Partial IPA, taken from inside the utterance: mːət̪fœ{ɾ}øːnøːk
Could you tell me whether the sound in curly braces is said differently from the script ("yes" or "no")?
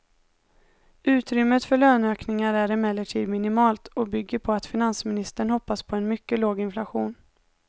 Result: yes